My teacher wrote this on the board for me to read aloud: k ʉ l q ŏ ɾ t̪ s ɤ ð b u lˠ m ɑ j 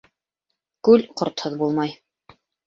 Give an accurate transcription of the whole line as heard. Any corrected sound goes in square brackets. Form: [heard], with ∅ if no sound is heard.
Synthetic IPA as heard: k ʉ l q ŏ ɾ t̪ [h] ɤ ð b u lˠ m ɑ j